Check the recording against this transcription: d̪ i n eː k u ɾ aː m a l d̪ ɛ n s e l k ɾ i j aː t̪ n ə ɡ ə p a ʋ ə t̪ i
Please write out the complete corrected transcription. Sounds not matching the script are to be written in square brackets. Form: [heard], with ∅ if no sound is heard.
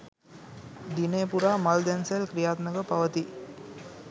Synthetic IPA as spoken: d̪ i n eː [p] u ɾ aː m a l d̪ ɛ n s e l k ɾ i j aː t̪ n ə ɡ ə p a ʋ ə t̪ i